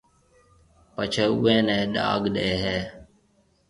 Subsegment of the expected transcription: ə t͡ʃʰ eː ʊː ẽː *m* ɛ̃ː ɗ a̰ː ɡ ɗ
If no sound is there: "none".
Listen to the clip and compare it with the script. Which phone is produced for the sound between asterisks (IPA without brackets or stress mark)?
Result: n